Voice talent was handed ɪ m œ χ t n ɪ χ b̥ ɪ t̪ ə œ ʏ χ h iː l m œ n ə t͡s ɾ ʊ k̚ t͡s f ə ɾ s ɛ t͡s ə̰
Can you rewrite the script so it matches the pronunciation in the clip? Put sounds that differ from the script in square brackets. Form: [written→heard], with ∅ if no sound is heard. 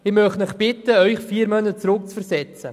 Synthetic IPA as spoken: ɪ m œ χ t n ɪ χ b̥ ɪ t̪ ə œ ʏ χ [h→f] iː [l→ɾ] m œ n ə t͡s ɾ ʊ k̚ t͡s f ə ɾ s ɛ t͡s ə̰